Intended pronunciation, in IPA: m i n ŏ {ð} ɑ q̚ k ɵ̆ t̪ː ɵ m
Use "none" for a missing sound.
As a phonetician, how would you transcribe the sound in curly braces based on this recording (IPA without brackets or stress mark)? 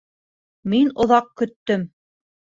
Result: ð